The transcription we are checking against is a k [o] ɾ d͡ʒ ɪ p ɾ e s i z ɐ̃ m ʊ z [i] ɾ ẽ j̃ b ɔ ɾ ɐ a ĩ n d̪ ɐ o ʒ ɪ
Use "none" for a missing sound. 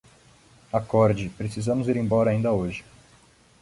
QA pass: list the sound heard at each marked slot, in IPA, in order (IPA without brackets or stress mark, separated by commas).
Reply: ɔ, i